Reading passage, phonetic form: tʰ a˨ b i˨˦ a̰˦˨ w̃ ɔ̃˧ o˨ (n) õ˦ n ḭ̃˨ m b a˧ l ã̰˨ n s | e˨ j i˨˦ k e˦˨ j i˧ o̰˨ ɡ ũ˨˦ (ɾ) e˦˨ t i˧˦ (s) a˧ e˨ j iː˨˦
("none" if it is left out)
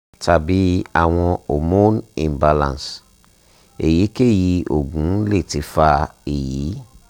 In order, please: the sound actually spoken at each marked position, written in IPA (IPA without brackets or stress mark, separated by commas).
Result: m, l, f